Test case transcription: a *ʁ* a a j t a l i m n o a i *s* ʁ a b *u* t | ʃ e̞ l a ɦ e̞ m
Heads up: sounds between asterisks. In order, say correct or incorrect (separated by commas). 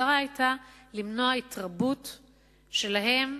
correct, incorrect, correct